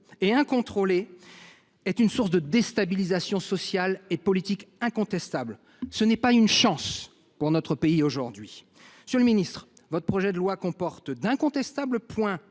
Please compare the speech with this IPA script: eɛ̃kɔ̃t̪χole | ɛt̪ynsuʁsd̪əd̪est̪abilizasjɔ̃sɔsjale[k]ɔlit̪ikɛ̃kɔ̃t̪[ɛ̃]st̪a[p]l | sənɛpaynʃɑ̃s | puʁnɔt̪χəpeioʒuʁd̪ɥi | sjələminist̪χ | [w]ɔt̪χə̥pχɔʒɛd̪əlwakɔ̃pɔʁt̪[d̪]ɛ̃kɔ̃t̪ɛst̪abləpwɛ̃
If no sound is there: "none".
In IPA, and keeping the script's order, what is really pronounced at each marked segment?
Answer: p, ɛ, b, v, d̪

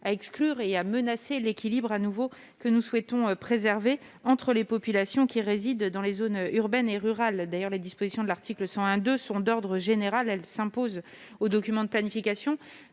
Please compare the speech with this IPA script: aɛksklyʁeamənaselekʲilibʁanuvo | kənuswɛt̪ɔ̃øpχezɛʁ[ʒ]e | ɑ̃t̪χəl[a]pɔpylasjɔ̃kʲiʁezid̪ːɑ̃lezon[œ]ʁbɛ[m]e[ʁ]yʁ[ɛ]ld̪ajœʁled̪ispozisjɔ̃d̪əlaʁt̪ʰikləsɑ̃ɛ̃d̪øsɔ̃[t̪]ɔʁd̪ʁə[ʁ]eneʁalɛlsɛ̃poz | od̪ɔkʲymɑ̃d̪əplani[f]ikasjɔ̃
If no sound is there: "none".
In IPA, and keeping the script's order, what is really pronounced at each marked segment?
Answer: v, e, y, n, ʁ, a, d̪, ʒ, f

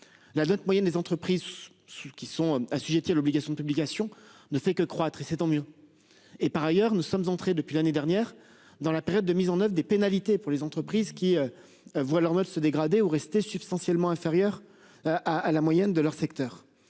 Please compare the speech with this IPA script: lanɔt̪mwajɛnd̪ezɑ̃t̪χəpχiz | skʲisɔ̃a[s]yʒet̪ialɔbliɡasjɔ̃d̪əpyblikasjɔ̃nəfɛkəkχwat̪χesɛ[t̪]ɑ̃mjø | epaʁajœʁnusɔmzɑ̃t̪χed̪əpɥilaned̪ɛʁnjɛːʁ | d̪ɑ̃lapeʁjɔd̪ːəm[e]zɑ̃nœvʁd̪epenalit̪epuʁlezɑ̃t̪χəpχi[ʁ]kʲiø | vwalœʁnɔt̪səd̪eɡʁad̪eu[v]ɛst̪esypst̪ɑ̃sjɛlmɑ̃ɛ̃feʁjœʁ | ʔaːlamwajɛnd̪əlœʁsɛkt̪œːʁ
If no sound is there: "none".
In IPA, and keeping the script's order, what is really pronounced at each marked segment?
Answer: s, t̪, i, z, ʁ

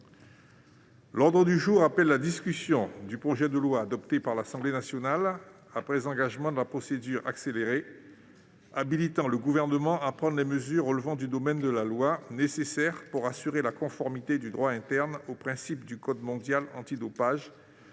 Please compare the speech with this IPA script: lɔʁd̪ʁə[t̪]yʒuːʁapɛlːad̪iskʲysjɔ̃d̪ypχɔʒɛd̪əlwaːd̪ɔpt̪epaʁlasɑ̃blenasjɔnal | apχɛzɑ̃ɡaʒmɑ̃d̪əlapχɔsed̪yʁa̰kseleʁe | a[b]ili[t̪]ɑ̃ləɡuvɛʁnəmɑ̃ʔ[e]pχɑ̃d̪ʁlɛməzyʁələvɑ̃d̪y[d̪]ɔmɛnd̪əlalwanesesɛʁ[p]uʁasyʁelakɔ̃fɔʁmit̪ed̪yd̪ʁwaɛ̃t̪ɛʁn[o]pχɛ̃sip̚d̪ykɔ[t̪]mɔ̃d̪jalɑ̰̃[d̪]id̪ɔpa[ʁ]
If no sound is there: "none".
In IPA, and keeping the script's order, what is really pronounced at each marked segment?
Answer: d̪, b, t̪, a, d̪, p, o, d̪, t̪, ʒ

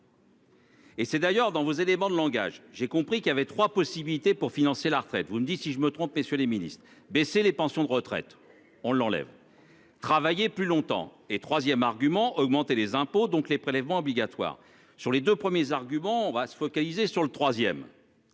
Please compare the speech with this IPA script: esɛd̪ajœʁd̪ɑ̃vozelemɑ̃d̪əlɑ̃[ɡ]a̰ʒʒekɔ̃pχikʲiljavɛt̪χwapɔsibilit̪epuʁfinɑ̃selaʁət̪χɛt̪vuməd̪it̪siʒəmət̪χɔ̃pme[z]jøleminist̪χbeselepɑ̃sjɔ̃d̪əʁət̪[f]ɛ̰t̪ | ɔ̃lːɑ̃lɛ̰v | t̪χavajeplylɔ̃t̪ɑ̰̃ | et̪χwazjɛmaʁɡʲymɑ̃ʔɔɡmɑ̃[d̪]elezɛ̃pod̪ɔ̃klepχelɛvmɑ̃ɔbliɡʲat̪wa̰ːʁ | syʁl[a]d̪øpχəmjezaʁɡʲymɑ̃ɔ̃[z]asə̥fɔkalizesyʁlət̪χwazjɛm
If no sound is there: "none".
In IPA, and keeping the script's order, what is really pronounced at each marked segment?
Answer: ɡ, s, χ, t̪, e, v

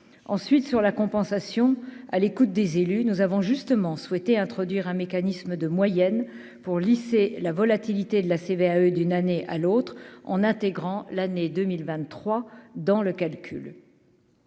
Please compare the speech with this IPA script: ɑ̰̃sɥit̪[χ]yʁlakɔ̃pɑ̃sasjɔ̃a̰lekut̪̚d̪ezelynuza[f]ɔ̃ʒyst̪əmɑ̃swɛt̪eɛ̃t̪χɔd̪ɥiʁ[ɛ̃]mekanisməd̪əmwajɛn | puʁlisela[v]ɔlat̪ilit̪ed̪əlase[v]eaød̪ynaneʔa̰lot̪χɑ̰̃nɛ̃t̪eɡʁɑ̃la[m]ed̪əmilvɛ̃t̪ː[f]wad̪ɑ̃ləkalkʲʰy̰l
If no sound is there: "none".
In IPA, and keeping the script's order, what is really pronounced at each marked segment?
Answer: s, v, ɛ̃, v, v, n, χ

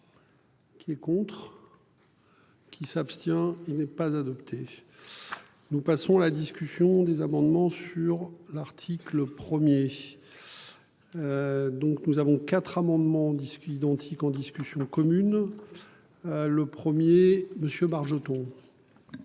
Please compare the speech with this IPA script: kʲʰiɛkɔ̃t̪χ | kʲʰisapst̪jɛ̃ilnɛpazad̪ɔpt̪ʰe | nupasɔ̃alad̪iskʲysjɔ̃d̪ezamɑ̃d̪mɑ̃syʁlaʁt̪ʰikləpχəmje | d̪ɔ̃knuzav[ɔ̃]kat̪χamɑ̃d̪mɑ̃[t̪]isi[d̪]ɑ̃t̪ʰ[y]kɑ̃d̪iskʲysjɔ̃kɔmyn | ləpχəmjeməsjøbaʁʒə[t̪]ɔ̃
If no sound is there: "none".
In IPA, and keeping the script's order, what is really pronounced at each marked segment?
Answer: ɔ̃, d̪, d̪, i, t̪

